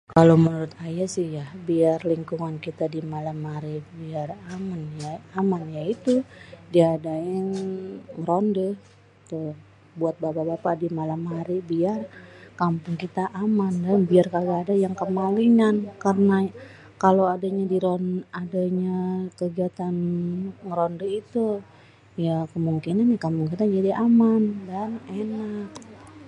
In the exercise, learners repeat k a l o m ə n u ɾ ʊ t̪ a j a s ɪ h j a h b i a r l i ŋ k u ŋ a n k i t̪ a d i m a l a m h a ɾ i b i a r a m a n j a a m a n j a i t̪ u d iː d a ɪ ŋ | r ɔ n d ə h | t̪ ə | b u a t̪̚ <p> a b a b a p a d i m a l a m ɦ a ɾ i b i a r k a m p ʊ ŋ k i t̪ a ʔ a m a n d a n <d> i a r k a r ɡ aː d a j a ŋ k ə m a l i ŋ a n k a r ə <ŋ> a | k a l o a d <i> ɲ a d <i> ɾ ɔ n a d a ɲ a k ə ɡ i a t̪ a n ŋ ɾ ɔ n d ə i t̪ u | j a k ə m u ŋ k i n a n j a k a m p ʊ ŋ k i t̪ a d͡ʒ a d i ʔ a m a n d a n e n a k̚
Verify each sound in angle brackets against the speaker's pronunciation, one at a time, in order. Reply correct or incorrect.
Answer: incorrect: b, incorrect: b, incorrect: n, incorrect: a, correct

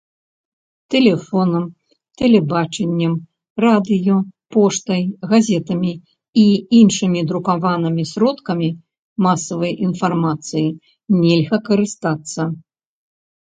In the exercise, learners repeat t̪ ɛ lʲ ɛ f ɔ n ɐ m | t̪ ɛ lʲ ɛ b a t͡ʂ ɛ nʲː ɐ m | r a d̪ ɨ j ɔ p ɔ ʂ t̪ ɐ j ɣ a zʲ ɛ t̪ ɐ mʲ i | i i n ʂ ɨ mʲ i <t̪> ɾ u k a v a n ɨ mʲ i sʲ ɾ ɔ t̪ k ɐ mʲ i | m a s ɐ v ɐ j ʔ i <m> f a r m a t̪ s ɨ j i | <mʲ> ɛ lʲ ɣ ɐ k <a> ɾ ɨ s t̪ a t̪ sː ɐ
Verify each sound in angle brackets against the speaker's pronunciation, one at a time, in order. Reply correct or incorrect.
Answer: incorrect: d̪, incorrect: n, incorrect: nʲ, incorrect: ɐ

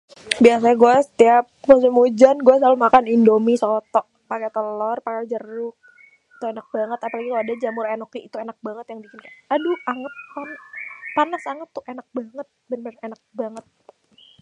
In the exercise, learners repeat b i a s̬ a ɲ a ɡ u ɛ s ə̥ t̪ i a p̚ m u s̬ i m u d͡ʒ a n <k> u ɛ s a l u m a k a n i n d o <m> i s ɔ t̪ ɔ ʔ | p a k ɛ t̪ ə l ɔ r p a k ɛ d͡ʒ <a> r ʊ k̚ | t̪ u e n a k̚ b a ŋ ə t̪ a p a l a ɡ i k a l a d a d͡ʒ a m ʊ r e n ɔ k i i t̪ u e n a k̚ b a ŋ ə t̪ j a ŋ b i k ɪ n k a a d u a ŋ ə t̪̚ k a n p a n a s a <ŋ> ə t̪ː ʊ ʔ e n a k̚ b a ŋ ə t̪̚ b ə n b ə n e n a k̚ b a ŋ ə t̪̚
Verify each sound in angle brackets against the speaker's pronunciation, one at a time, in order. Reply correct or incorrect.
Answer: incorrect: ɡ, correct, incorrect: ə, correct

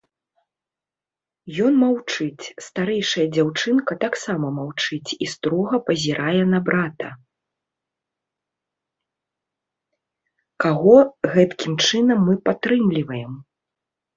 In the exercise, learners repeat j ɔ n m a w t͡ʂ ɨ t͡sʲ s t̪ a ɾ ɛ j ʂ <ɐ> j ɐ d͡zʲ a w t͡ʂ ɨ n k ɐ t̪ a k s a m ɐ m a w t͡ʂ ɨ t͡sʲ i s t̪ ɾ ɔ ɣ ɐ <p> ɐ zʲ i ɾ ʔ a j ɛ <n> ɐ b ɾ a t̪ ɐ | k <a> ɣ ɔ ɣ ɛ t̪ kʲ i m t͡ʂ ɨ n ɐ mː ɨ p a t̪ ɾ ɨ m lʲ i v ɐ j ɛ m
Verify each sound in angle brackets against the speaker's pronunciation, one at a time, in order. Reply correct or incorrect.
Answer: correct, correct, correct, correct

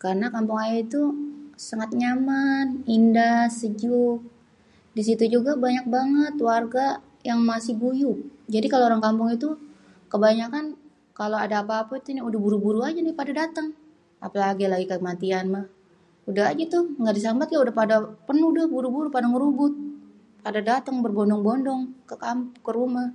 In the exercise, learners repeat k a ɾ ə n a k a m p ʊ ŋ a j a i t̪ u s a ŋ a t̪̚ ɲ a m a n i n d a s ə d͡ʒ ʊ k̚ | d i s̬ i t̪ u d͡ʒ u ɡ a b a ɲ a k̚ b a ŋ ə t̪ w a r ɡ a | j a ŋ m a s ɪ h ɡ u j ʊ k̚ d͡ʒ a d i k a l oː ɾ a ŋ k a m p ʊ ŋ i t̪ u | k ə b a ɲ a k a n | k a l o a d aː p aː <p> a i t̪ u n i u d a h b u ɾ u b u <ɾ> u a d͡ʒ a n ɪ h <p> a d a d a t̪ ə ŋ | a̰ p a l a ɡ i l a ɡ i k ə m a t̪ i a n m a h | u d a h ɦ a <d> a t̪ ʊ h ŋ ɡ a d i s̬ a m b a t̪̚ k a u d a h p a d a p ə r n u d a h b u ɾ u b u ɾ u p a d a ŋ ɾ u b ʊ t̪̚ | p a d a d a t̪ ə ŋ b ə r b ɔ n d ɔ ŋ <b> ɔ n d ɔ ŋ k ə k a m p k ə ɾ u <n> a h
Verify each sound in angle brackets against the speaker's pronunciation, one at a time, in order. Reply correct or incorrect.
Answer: correct, correct, correct, incorrect: d͡ʒ, correct, incorrect: m

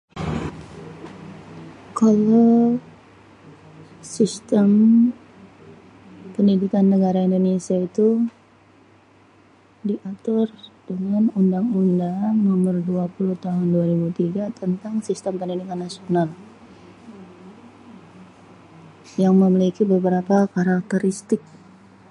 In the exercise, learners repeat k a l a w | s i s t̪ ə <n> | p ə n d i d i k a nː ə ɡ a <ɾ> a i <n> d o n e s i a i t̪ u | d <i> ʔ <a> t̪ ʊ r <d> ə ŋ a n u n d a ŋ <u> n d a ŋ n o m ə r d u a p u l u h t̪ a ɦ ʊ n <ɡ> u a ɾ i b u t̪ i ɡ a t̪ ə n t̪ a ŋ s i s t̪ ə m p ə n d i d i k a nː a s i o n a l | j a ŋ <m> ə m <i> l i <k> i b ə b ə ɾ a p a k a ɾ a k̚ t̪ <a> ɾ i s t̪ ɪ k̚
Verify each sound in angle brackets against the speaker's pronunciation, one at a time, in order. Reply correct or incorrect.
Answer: incorrect: m, correct, correct, correct, correct, correct, correct, incorrect: d, correct, correct, correct, incorrect: ə

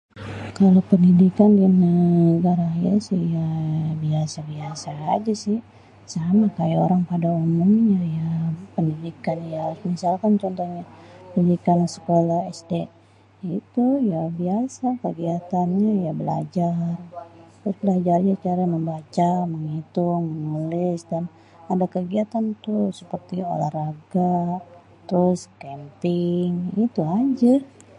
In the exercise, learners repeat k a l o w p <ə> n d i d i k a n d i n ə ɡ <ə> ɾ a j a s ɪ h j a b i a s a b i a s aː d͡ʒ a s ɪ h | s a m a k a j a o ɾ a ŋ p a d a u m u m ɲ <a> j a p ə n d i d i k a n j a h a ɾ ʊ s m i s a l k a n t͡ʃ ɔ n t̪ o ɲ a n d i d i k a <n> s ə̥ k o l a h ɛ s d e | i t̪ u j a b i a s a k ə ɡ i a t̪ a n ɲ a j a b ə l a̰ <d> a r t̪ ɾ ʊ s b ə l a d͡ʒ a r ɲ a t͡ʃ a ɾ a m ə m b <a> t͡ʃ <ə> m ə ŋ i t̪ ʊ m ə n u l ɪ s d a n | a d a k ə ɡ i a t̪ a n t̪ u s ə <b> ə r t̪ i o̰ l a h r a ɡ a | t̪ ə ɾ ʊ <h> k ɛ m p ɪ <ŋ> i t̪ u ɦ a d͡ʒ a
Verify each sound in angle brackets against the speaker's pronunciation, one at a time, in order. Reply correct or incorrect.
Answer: correct, incorrect: a, correct, correct, incorrect: d͡ʒ, correct, incorrect: a, incorrect: p, incorrect: s, correct

